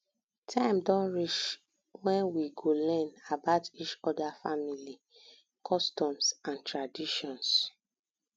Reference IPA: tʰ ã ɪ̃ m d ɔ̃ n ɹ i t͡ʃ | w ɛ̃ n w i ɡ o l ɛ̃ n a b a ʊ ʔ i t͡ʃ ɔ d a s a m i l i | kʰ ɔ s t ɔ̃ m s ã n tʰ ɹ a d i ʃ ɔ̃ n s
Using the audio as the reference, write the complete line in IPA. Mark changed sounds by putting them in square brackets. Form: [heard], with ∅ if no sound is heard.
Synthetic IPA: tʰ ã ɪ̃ m d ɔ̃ n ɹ i t͡ʃ | w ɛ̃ n w i ɡ o l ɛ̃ n a b a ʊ [t] i t͡ʃ ɔ d a [f] a m i l i | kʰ ɔ s t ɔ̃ m s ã n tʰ ɹ a d i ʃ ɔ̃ n s